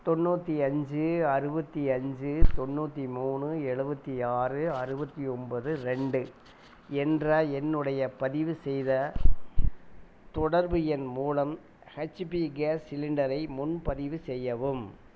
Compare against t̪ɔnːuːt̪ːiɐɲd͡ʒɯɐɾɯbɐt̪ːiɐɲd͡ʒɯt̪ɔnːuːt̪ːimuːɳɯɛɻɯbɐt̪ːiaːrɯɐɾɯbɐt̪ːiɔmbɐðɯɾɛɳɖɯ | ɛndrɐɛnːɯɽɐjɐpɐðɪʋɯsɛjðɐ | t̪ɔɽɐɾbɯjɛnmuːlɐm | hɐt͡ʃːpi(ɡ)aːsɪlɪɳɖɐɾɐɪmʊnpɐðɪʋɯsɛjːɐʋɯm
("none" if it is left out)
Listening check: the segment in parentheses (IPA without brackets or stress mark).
ɡ